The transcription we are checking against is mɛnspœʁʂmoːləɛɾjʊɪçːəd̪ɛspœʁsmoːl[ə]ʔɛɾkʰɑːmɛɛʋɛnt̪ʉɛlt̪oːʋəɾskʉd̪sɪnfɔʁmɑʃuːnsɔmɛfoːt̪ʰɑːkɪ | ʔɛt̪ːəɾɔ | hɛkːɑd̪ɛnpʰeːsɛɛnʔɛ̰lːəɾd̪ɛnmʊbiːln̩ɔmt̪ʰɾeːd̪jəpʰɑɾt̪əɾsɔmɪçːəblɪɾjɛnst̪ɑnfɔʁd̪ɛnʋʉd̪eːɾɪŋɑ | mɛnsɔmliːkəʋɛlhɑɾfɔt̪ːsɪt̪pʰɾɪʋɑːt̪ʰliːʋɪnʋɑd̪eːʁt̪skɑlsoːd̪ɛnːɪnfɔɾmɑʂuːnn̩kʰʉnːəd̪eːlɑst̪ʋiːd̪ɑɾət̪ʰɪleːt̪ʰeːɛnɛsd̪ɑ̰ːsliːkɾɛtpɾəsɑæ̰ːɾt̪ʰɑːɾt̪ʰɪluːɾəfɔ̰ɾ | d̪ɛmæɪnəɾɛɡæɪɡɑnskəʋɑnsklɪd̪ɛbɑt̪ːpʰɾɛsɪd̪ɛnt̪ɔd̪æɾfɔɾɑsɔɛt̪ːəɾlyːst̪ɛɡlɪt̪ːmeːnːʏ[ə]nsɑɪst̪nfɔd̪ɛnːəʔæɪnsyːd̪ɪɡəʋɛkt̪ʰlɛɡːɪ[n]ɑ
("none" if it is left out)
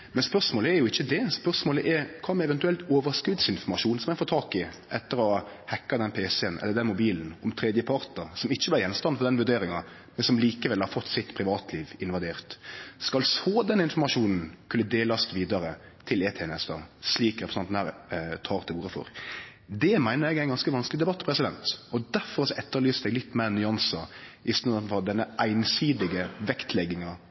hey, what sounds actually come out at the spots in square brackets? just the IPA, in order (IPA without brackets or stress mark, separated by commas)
ə, ɑ, ŋ